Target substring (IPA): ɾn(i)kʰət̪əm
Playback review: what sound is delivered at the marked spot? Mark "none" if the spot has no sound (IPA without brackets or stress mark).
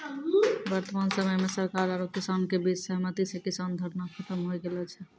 a